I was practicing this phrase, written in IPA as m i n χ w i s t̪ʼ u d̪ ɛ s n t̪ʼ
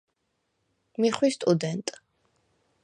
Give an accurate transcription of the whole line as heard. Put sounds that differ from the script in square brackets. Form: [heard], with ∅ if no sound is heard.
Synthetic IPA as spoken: m i [∅] χ w i s t̪ʼ u d̪ ɛ [∅] n t̪ʼ